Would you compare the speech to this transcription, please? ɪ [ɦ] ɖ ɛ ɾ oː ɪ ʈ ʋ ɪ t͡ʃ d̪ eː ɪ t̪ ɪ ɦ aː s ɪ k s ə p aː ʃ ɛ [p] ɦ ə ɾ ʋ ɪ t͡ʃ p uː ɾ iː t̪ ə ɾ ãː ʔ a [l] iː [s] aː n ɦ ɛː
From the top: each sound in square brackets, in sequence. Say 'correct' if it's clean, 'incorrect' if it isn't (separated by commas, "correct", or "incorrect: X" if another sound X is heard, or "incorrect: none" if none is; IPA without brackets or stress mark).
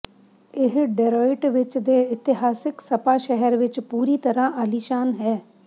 correct, incorrect: none, correct, incorrect: ʃ